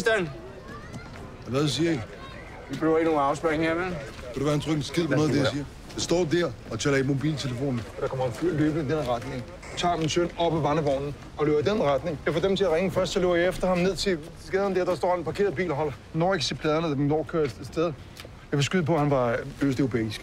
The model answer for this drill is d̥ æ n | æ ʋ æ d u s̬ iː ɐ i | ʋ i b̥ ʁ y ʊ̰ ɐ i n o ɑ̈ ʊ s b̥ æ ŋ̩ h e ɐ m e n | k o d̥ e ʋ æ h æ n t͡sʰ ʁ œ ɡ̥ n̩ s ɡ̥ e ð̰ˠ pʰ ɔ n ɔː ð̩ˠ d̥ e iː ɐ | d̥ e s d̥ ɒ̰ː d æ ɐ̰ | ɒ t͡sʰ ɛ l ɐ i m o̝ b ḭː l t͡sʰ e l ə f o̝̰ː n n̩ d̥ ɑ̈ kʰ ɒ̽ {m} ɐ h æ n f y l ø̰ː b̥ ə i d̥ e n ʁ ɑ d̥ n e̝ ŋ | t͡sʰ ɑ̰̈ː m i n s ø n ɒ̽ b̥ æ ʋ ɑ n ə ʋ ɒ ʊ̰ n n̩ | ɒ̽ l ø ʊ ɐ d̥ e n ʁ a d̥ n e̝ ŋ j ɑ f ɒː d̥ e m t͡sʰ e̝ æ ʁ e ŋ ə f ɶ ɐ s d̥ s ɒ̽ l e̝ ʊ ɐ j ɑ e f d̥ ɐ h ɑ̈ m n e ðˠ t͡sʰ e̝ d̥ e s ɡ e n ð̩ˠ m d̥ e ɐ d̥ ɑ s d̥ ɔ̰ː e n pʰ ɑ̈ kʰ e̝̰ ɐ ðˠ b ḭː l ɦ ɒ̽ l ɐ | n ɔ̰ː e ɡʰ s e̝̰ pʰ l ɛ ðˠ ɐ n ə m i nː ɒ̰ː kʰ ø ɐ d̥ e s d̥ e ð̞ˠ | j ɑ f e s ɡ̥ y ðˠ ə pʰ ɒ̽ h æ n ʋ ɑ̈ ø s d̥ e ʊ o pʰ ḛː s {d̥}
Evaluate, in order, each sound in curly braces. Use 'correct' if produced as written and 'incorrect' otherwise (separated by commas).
correct, incorrect